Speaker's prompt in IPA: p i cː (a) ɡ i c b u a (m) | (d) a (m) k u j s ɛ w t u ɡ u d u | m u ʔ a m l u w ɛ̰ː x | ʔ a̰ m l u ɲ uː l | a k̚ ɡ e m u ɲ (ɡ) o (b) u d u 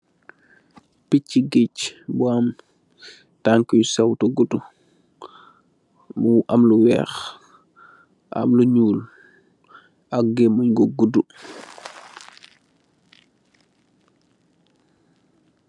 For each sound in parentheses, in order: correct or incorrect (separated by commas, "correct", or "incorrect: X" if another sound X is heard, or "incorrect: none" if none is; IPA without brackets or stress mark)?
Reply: incorrect: i, correct, incorrect: t, incorrect: ŋ, correct, incorrect: ɡ